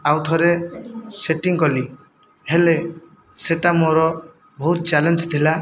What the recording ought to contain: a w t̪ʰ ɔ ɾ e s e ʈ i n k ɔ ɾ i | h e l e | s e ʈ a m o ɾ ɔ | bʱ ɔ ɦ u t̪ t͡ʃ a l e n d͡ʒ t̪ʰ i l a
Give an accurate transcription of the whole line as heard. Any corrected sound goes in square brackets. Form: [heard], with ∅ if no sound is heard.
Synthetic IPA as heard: a w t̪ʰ ɔ ɾ e s e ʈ i [ŋ] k ɔ [l] i | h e l e | s e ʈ a m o ɾ ɔ | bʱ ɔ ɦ u t̪ t͡ʃ a l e n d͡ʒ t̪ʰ i l a

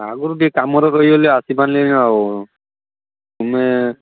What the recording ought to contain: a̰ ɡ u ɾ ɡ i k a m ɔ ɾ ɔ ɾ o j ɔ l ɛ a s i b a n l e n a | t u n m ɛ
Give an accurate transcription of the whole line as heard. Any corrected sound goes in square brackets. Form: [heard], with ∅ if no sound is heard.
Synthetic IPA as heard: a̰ ɡ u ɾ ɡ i k a m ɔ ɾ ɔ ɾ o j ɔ l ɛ a s i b a n l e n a | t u [∅] m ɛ

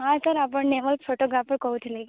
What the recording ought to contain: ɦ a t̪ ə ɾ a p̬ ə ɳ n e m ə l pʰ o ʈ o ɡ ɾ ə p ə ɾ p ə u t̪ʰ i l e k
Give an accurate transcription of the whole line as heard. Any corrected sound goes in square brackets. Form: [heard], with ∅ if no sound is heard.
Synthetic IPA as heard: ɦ a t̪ ə ɾ a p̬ ə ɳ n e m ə l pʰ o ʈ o ɡ ɾ [a] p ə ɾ [k] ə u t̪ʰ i l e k

